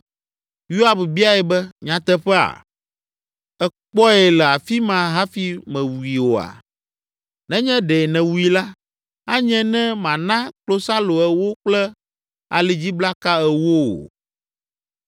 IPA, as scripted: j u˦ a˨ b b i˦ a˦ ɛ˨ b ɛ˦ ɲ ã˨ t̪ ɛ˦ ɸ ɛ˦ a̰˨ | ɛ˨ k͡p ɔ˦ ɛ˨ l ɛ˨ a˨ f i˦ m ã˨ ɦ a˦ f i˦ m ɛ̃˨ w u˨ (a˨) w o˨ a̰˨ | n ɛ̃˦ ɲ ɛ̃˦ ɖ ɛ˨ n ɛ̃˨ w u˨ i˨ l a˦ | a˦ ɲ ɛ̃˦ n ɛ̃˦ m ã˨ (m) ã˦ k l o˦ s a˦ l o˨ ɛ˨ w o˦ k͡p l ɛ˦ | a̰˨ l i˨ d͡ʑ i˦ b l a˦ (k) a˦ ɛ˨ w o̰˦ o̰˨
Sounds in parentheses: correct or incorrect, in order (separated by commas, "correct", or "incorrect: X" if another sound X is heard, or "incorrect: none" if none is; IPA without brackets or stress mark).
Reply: incorrect: i˨, incorrect: n, correct